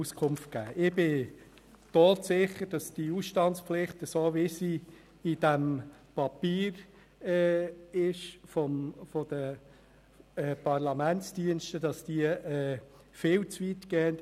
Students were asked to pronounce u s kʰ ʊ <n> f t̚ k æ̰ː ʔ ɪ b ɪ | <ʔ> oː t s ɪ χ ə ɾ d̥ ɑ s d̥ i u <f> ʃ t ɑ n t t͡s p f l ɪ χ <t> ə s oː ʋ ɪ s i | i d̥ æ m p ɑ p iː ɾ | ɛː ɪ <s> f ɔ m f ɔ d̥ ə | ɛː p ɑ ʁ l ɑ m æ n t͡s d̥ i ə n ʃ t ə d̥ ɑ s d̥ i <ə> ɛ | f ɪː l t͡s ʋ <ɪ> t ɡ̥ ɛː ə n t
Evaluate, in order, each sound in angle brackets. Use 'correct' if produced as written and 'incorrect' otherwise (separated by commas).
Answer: incorrect, incorrect, incorrect, correct, incorrect, correct, incorrect